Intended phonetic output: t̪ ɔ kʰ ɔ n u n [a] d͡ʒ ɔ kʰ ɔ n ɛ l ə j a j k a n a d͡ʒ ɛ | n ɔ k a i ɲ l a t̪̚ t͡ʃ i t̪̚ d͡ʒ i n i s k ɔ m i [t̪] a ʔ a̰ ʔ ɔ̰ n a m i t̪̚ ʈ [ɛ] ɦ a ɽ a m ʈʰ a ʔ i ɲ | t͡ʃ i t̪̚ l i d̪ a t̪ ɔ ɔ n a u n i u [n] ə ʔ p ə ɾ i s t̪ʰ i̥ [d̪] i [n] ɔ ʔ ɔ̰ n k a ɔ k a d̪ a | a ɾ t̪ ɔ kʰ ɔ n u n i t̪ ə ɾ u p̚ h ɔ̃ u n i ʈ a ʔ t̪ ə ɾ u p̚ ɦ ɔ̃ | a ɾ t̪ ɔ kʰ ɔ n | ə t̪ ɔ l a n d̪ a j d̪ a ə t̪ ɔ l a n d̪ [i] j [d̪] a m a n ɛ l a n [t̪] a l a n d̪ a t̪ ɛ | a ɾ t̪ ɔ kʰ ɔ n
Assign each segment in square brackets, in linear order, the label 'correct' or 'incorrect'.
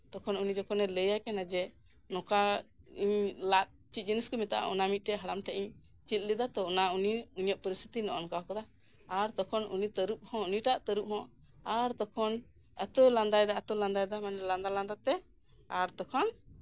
incorrect: i, correct, correct, incorrect: ɲ, incorrect: t̪, correct, incorrect: a, correct, incorrect: d̪

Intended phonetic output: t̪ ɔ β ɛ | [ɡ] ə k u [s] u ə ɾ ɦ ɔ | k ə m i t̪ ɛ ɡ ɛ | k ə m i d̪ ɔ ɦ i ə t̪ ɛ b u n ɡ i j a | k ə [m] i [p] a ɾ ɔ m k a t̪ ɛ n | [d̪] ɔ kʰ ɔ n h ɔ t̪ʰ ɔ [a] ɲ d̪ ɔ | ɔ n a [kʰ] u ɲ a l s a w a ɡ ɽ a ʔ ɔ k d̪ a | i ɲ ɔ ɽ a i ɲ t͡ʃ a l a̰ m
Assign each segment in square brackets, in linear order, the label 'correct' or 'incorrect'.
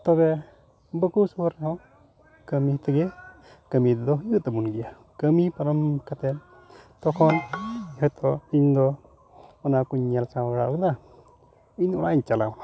incorrect: b, correct, correct, correct, incorrect: t̪, incorrect: i, incorrect: k

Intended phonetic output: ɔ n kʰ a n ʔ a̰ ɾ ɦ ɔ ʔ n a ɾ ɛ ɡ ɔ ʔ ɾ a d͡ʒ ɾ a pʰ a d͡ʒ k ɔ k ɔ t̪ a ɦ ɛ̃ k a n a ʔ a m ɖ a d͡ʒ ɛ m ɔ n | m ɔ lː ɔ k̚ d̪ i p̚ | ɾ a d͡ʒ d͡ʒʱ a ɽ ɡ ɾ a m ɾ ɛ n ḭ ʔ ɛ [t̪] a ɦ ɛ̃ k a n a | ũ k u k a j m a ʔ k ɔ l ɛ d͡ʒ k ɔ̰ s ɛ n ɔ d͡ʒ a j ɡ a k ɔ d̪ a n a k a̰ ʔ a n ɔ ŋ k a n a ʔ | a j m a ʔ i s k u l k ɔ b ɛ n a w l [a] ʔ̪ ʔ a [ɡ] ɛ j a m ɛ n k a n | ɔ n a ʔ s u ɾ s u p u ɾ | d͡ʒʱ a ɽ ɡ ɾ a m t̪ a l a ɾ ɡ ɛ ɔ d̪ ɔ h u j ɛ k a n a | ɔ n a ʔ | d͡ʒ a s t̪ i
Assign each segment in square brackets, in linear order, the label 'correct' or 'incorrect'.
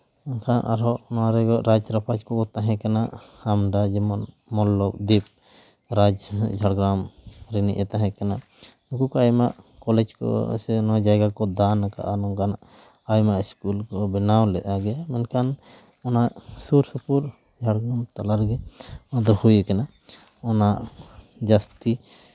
correct, incorrect: ɛ, correct

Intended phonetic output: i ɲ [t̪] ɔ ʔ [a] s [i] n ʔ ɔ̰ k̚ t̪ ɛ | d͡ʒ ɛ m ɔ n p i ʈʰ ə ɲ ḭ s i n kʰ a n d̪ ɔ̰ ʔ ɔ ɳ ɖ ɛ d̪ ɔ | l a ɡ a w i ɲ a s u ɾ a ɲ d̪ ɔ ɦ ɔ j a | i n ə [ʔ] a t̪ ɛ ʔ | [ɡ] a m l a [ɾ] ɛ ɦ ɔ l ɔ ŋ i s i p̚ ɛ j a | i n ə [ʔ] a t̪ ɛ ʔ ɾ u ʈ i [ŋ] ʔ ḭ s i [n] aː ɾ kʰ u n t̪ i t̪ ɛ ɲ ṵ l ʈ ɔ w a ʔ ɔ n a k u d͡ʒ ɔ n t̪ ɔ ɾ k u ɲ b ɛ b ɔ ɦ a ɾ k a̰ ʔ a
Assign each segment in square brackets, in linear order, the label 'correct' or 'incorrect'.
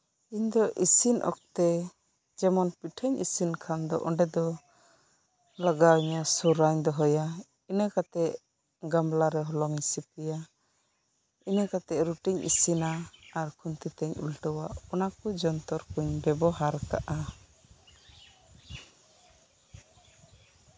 incorrect: d̪, incorrect: i, correct, incorrect: k, correct, correct, incorrect: k, incorrect: ɲ, correct

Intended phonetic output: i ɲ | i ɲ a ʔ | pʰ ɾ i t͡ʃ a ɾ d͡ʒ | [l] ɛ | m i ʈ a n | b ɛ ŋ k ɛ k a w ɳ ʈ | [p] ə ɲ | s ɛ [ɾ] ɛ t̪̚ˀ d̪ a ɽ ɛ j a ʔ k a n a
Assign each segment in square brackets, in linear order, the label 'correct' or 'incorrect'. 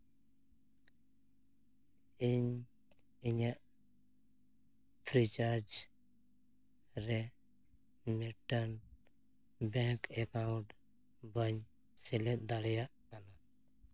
incorrect: ɾ, incorrect: b, incorrect: l

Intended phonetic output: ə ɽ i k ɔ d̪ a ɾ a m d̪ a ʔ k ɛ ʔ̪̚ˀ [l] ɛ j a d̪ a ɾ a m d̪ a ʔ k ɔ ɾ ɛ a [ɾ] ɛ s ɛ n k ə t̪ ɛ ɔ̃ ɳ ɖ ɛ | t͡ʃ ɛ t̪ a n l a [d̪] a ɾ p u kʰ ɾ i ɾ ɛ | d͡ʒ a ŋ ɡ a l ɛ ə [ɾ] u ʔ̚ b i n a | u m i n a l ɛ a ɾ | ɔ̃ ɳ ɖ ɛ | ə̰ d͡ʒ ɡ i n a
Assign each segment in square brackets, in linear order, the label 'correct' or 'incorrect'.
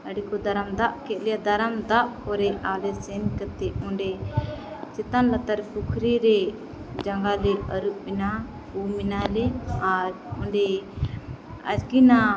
correct, incorrect: l, incorrect: t̪, correct

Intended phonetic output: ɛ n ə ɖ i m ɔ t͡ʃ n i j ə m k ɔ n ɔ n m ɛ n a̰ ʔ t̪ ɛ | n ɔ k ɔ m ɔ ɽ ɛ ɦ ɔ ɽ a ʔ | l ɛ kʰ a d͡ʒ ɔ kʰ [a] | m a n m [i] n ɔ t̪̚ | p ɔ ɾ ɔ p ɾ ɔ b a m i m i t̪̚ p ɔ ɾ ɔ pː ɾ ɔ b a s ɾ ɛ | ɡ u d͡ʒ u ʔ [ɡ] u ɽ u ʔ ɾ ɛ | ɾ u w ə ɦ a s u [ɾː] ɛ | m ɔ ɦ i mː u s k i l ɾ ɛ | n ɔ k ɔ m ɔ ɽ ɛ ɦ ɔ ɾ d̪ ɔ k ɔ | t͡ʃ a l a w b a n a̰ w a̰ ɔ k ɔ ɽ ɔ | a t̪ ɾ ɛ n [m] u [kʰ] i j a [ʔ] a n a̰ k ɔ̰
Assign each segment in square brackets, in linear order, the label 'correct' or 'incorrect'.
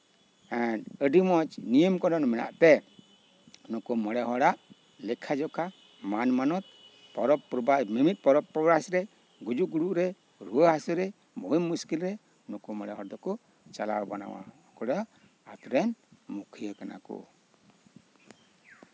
correct, incorrect: a, correct, incorrect: ɾ, correct, correct, incorrect: k

